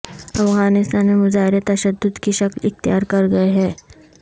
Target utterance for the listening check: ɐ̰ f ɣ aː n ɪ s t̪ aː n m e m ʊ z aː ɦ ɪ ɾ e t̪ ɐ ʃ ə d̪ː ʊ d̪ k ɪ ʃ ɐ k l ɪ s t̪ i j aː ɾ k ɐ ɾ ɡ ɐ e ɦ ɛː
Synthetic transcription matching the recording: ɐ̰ f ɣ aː n ɪ s t̪ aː n m e m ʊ z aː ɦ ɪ ɾ e t̪ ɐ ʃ ə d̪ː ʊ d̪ k i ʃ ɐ k l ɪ x t̪ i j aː ɾ k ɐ ɾ ɡ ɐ e ɦ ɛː